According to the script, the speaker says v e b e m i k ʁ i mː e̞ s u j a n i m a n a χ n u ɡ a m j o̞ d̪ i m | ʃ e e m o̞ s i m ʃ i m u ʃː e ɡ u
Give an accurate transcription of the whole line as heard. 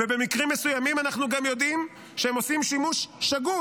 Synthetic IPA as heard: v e b e m i k ʁ i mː e̞ s u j a m i m a n a χ n u ɡ a m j o̞ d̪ i m | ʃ e e m o̞ s i m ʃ i m u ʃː a ɡ u